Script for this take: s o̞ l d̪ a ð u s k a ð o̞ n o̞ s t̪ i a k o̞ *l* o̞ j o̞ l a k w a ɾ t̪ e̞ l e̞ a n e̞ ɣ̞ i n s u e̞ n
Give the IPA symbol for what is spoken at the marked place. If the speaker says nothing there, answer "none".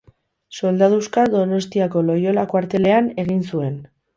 l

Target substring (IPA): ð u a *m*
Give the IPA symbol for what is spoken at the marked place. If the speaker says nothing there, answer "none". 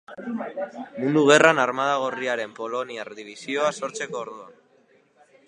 n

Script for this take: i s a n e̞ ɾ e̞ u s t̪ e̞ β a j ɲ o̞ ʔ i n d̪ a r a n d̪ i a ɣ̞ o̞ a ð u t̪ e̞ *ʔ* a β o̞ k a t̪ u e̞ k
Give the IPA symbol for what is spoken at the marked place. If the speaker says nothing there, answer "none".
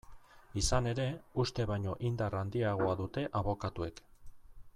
ʔ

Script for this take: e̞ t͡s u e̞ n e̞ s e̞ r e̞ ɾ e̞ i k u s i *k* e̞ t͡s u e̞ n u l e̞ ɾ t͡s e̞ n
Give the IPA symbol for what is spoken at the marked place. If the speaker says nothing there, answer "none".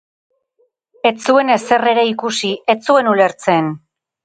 none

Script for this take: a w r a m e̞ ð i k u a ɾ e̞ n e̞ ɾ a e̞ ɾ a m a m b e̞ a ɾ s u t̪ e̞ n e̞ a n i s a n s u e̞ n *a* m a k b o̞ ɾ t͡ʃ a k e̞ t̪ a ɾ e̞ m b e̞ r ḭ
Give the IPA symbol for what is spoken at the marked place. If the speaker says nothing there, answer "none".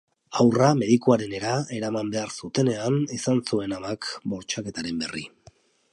a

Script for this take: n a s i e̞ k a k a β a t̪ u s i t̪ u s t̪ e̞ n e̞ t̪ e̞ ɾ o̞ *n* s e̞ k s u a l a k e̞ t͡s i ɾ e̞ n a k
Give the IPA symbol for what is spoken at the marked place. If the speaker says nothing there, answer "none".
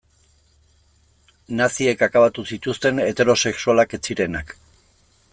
none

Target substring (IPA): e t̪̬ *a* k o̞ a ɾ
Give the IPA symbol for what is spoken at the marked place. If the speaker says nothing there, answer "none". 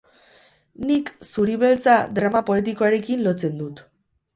i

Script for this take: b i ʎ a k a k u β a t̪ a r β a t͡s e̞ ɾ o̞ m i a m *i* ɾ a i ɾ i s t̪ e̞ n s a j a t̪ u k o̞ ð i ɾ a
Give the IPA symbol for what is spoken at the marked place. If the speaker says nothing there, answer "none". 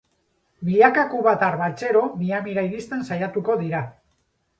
i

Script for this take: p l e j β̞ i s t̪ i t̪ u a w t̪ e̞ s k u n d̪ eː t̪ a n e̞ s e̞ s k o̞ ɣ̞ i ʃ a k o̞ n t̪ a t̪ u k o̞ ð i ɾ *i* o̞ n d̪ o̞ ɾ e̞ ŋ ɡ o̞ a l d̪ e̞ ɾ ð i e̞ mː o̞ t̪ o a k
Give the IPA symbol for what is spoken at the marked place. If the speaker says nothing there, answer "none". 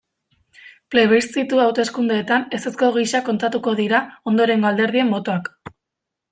a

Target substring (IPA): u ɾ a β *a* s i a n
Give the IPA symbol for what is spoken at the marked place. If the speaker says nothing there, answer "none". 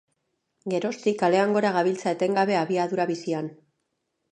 i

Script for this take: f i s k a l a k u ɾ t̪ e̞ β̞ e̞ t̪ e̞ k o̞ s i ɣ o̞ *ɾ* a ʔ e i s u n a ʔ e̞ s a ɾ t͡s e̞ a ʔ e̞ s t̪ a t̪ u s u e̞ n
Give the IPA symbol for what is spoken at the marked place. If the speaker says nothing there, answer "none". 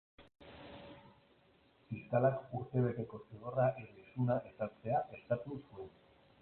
r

